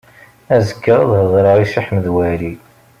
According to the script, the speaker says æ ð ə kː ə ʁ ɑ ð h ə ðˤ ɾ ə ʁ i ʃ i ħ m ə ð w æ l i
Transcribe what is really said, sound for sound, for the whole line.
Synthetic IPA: æ z ə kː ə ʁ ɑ ð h ə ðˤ ɾ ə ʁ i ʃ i ħ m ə ð w æ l i